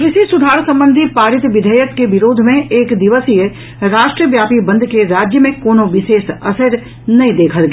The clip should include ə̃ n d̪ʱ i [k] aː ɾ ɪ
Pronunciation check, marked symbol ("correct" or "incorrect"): incorrect